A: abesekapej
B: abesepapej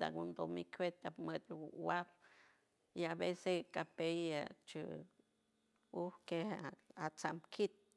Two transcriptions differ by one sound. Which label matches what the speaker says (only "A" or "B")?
A